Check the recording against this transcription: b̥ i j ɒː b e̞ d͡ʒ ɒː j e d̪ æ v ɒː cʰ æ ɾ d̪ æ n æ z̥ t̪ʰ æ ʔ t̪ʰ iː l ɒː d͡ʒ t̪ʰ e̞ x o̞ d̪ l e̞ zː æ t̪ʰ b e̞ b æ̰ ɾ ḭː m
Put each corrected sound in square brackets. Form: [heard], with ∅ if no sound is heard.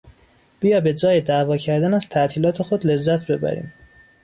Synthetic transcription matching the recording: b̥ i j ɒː b e̞ d͡ʒ ɒː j e d̪ æ v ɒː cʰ æ ɾ d̪ æ n æ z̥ t̪ʰ æ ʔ t̪ʰ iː l ɒː [∅] t̪ʰ e̞ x o̞ d̪ l e̞ zː æ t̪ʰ b e̞ b æ̰ ɾ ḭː m